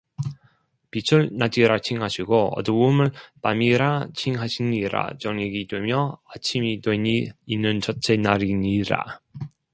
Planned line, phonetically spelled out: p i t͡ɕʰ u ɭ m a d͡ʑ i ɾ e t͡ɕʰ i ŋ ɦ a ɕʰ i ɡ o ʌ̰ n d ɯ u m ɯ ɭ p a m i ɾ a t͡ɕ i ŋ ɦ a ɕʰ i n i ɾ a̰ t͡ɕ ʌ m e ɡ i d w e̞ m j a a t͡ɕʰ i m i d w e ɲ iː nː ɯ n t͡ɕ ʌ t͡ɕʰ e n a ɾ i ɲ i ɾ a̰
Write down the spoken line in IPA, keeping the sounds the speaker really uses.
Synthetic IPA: p i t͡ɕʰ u ɭ n a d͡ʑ i ɾ a t͡ɕʰ i ŋ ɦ a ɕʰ i ɡ o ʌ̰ d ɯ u m ɯ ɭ p a m i ɾ a t͡ɕʰ i ŋ ɦ a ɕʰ i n i ɾ a̰ t͡ɕ ʌ ŋ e ɡ i d w e̞ m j ʌ a t͡ɕʰ i m i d w e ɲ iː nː ɯ n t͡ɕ ʌ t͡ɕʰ e n a ɾ i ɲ i ɾ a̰